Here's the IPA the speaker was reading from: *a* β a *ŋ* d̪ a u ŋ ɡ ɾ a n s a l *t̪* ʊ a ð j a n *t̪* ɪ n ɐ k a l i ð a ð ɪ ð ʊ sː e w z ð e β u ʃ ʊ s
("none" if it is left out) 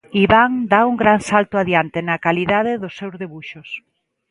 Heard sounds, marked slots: i, ŋ, t̪, t̪

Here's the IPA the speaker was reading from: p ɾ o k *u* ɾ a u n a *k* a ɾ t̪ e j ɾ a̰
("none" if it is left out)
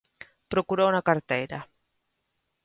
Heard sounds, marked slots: u, k

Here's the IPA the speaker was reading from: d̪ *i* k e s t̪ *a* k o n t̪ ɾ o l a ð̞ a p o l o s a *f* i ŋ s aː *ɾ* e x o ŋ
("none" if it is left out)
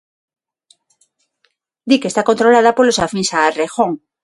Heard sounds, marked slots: i, a, f, r

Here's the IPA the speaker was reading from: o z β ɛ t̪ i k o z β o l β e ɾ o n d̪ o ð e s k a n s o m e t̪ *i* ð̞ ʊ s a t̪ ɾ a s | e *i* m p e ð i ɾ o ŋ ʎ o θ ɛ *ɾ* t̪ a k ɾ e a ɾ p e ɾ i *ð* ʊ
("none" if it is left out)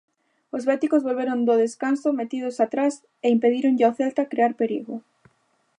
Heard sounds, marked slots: i, i, l, ɣ

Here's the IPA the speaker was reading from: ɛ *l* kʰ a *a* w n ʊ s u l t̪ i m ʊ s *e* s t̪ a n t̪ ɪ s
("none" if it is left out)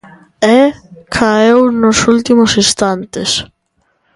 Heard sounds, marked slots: none, e, i

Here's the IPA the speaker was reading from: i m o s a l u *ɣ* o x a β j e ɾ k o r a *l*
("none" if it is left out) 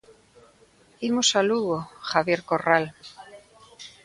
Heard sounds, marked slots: ɣ, l

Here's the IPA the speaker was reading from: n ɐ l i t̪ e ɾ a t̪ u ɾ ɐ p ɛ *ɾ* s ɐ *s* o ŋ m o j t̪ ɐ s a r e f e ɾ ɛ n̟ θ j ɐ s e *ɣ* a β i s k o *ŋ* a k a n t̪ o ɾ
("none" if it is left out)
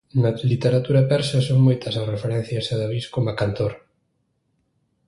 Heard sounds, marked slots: ɾ, s, ð, m

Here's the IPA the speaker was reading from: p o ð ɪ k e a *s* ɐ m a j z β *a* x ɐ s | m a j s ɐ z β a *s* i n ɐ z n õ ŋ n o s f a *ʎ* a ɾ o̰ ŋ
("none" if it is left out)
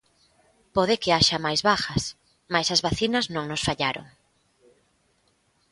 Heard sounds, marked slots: ʃ, a, θ, ʎ

